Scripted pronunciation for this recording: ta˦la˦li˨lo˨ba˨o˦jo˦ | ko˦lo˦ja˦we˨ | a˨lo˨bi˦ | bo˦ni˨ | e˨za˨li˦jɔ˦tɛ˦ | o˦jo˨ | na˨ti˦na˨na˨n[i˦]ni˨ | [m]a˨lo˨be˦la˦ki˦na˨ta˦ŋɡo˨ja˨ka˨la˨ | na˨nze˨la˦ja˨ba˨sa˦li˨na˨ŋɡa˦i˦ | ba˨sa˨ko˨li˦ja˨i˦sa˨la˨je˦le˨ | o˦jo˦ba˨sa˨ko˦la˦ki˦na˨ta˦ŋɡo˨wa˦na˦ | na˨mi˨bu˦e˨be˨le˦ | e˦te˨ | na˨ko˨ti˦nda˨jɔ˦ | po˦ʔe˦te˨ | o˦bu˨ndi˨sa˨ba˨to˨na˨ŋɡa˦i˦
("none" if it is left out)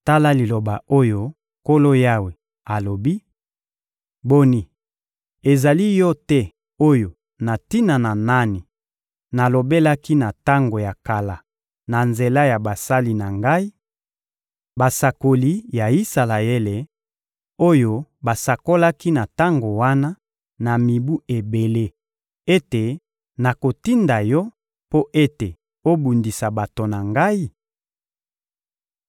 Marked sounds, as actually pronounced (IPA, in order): a˦, n

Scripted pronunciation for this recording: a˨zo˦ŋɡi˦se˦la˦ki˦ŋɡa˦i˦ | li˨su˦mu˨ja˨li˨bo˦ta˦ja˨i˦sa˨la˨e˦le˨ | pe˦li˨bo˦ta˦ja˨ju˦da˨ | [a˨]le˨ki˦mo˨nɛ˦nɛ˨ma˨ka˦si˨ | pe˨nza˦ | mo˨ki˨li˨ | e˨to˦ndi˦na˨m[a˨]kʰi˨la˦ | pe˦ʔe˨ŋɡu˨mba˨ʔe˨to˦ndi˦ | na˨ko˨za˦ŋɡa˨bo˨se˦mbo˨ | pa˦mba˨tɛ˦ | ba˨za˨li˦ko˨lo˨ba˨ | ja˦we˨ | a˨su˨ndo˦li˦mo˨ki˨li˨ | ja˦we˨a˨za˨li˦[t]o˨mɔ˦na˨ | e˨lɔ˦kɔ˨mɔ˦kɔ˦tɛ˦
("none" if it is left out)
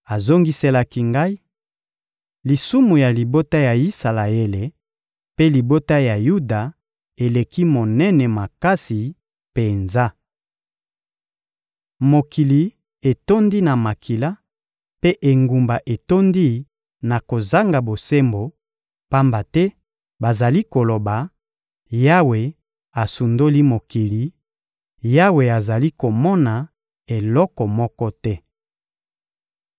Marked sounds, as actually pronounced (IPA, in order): e˨, a˨, k

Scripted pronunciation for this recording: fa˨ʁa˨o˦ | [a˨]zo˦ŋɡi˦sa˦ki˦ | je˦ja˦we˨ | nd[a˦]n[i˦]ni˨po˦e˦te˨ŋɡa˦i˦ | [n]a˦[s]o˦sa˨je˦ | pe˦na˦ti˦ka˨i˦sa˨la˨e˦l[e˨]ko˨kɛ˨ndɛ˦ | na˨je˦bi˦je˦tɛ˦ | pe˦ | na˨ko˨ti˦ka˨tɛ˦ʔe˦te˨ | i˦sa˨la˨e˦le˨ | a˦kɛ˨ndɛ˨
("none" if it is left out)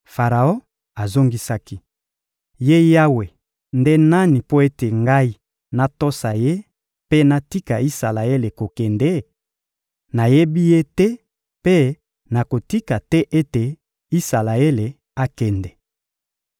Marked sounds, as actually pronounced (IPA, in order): a˨, e˦, a˦, n, t, e˨

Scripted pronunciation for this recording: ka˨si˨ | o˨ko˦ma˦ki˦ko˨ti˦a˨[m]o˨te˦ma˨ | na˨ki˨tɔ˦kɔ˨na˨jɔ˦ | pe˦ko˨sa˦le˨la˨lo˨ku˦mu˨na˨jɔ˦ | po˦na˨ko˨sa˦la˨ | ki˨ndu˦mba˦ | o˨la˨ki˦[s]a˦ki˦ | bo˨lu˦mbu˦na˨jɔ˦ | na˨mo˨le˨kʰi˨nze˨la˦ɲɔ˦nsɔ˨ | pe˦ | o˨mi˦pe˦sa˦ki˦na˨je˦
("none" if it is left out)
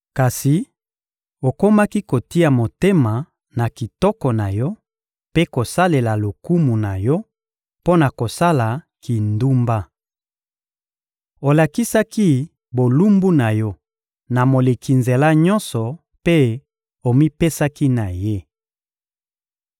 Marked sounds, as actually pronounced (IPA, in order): m, s

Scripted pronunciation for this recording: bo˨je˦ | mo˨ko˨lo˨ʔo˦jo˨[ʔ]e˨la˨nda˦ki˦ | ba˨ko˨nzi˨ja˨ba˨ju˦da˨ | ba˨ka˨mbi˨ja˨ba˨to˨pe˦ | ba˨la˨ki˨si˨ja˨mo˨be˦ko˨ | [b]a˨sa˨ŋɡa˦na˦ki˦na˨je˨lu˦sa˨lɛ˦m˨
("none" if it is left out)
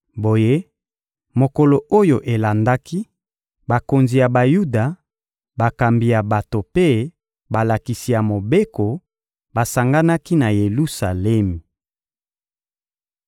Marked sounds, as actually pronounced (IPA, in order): ʔ, b

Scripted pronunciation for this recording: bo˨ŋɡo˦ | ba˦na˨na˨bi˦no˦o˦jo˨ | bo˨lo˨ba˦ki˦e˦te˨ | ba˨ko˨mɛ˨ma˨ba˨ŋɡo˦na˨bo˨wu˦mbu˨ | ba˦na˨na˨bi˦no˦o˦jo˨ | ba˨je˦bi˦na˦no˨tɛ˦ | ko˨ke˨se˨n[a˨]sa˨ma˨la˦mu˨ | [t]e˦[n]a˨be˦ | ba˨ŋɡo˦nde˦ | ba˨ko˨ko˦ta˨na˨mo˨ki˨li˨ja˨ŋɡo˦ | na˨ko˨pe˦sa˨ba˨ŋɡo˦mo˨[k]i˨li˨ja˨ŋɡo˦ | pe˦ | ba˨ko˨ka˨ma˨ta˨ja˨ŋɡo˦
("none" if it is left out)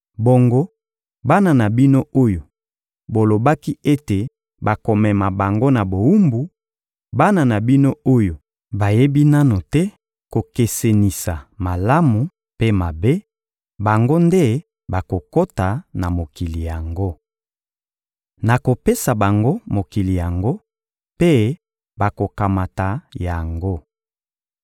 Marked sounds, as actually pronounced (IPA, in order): i˨, p, m, k

